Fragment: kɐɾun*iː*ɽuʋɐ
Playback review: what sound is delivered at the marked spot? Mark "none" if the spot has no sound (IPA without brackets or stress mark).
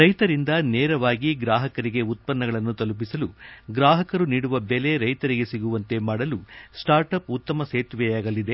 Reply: iː